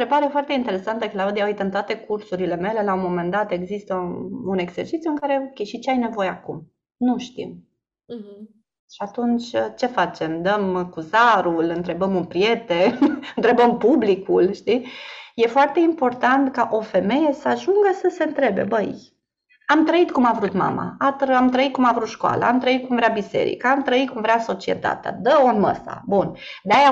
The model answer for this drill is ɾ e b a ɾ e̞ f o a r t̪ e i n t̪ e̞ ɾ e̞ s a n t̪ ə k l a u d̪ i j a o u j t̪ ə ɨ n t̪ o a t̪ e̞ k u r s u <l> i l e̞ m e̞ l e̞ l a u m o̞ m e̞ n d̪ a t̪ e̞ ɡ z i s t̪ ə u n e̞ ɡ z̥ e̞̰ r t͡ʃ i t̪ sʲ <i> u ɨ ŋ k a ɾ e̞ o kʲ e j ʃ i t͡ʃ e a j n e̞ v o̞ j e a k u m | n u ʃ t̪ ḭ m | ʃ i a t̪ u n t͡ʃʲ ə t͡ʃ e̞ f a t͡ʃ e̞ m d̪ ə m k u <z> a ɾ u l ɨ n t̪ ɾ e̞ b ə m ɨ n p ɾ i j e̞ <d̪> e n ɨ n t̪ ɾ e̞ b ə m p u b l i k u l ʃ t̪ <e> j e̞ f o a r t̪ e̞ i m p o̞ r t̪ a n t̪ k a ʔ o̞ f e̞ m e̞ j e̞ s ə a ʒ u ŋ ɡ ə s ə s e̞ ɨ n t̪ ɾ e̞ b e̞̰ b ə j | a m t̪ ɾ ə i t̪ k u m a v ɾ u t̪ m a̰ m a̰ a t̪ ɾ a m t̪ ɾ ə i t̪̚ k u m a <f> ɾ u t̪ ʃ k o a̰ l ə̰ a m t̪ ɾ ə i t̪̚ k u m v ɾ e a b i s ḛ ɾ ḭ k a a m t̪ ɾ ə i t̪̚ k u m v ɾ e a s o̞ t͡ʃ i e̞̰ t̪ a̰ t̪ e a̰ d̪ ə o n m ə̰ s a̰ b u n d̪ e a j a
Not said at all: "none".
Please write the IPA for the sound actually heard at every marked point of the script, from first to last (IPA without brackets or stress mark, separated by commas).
ɾ, j, z, t̪, i, v